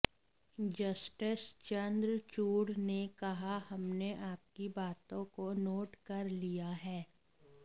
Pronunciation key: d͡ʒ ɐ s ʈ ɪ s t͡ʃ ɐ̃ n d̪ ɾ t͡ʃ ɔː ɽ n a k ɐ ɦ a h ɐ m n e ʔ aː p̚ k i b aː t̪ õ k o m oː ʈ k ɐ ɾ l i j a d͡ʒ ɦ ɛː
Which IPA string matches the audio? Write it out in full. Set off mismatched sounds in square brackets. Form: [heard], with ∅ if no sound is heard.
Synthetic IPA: d͡ʒ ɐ s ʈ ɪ s t͡ʃ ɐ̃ n d̪ ɾ t͡ʃ [uː] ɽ n [e] k ɐ ɦ a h ɐ m n e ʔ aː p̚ k i b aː t̪ õ k o [n] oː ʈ k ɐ ɾ l i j a [∅] ɦ ɛː